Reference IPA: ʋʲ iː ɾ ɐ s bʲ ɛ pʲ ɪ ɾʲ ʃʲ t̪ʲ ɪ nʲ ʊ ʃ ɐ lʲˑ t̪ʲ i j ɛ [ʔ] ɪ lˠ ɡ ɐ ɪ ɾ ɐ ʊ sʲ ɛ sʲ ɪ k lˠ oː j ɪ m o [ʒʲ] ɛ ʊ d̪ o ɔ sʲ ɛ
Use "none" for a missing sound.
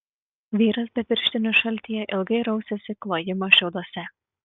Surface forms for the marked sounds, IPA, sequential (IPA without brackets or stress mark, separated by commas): ʔ, ʃʲ